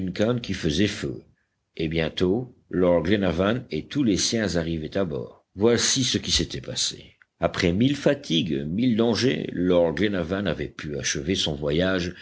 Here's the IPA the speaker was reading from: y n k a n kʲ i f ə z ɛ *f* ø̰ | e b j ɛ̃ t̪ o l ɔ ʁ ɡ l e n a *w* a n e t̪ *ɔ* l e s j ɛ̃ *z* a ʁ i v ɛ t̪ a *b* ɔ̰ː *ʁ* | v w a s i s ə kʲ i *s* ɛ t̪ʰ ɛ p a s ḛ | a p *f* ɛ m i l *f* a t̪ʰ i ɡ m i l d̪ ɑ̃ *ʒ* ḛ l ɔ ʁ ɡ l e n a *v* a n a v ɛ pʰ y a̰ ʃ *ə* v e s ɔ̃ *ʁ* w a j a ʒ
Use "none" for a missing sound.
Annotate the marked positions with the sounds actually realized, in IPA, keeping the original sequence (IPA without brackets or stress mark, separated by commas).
f, v, u, z, b, ʁ, s, χ, f, ʒ, v, ə, v